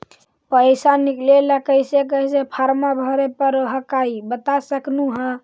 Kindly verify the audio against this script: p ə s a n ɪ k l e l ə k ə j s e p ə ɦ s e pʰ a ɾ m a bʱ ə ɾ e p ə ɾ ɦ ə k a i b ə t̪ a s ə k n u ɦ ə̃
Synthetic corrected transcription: p ə s a n i k l e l ə k ə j s e k ə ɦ s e pʰ a ɾ m a bʱ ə ɾ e p ə ɾ ɦ ə k a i b ə t̪ a s ə k n u ɦ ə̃